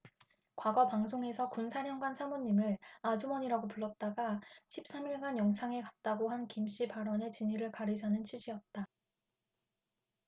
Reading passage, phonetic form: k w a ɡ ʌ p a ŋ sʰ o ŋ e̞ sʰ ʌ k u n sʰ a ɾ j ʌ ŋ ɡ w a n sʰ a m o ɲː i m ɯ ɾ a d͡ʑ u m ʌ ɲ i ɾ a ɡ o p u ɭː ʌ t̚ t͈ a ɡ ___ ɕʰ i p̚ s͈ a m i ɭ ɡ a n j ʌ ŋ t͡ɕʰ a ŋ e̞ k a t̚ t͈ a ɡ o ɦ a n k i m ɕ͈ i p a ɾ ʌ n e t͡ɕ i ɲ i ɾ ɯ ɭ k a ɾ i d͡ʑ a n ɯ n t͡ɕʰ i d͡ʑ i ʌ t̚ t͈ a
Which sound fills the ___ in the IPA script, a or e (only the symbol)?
a